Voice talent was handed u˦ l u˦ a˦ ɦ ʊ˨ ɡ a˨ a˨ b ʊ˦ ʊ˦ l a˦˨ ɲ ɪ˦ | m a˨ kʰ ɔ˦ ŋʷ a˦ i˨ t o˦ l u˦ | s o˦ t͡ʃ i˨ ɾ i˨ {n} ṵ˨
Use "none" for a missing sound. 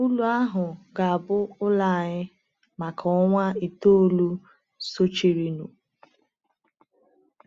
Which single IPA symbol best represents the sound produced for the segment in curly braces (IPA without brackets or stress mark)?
n